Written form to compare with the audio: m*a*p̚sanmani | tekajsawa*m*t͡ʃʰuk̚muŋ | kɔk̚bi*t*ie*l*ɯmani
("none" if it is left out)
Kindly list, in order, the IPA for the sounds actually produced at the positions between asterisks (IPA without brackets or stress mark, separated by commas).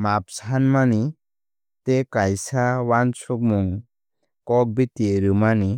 a, n, t, ɾ